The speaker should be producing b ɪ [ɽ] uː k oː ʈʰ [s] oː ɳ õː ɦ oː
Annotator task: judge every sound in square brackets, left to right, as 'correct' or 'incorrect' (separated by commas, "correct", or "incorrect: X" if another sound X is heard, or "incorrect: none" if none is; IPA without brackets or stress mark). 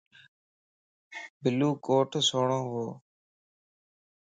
incorrect: l, correct